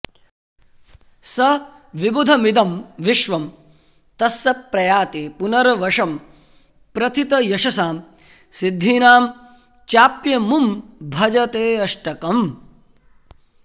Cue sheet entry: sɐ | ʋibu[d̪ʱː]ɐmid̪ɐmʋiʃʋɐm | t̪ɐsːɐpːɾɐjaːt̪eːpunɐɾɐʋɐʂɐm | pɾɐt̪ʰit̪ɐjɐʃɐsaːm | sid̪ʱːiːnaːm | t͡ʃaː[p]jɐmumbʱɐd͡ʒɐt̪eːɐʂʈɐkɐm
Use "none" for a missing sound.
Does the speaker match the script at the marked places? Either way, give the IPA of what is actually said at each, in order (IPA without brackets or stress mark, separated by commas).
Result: d̪ʱ, p